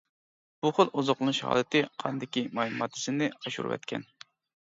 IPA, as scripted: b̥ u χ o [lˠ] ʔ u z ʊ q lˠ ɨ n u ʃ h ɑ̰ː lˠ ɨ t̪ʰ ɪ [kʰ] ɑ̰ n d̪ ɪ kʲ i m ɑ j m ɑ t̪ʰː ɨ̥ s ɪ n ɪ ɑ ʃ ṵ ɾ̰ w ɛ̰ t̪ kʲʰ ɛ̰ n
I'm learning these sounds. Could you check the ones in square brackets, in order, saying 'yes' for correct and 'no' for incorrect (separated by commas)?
yes, no